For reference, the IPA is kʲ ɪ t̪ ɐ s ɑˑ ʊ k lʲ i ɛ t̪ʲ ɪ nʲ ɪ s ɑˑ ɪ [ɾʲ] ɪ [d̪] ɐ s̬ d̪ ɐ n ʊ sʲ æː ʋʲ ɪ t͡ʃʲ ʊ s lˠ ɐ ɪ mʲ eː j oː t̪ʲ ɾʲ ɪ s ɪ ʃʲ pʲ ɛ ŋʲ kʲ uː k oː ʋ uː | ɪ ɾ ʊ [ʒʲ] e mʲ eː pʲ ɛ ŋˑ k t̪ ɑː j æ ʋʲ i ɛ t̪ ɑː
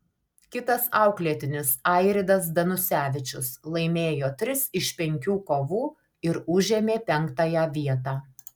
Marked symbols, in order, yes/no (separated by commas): yes, yes, yes